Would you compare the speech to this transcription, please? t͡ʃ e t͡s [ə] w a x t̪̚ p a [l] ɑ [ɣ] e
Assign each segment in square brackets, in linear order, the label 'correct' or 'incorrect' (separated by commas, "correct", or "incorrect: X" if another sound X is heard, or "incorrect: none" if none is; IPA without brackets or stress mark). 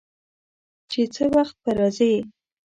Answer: correct, incorrect: ɾ, incorrect: z